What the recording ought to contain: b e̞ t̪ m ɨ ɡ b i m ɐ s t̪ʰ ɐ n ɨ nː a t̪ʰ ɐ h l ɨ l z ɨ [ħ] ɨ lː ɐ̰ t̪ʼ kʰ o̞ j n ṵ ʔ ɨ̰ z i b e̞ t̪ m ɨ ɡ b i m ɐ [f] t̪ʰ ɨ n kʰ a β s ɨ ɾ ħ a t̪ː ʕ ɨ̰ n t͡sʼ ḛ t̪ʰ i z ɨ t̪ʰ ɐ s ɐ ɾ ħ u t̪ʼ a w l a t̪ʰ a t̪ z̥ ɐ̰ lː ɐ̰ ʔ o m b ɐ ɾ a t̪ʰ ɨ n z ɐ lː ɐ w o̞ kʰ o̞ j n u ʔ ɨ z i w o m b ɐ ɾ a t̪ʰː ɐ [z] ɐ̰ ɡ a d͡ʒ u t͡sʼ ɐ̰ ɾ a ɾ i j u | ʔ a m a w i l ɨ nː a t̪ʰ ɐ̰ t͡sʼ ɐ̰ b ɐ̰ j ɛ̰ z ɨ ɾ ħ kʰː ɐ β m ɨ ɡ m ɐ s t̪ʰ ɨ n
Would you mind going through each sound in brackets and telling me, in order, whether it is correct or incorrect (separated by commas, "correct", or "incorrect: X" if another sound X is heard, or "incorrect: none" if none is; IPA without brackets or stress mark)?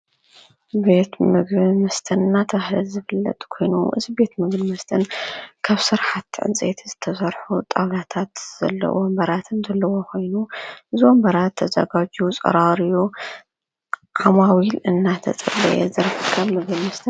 incorrect: f, incorrect: s, correct